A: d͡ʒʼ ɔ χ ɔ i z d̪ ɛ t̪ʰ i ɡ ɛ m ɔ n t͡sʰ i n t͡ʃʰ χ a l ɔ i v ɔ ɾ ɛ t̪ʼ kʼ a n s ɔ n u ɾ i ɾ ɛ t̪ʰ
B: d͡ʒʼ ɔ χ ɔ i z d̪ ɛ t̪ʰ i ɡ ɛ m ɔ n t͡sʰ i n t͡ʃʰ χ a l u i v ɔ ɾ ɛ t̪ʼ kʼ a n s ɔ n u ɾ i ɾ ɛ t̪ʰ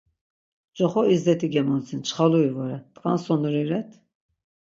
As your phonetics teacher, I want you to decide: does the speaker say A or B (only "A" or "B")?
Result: B